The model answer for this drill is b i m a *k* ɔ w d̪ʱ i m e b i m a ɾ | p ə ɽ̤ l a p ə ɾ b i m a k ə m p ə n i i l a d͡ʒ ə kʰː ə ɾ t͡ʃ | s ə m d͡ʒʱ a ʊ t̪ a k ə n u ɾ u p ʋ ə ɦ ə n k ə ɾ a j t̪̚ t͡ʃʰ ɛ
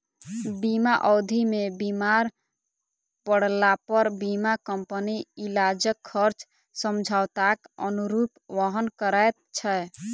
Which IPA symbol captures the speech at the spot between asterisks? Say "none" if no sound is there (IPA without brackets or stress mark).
ʔ